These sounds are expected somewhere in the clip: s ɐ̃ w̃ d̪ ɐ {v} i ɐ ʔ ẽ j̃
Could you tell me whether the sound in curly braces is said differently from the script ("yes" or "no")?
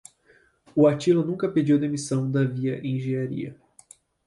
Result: no